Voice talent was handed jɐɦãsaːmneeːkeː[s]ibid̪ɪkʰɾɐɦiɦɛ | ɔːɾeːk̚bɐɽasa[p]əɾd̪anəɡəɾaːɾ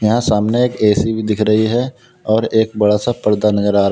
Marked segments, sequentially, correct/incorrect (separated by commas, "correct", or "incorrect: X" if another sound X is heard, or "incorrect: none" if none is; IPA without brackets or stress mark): correct, correct